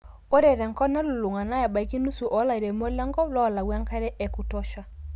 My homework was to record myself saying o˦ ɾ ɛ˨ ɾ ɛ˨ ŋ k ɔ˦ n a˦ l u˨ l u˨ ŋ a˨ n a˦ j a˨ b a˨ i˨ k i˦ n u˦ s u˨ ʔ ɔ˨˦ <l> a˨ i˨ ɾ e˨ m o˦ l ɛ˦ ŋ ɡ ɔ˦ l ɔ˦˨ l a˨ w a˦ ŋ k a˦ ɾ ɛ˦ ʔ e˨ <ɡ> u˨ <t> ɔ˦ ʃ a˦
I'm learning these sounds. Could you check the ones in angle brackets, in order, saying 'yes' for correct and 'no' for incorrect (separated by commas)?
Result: yes, no, yes